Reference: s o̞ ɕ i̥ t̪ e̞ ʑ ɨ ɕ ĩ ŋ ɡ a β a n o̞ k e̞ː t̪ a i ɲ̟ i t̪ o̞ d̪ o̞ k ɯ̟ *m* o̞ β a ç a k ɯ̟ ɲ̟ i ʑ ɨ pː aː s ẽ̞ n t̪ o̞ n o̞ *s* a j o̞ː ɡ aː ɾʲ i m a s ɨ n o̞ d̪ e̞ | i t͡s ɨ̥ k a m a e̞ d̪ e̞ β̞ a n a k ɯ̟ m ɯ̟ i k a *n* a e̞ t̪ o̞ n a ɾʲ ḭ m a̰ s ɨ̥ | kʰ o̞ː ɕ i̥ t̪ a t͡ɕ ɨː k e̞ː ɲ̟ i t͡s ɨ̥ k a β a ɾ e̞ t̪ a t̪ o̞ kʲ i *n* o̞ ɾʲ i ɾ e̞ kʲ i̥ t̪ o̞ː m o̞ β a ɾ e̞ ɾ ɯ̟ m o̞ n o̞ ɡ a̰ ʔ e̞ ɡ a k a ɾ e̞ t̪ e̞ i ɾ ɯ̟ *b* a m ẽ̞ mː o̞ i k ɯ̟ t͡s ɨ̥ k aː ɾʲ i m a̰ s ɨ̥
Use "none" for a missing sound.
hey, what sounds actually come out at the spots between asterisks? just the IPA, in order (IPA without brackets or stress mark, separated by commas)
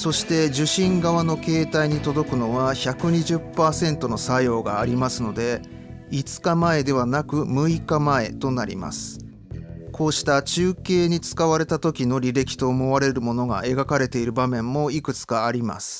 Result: n, s, m, n, b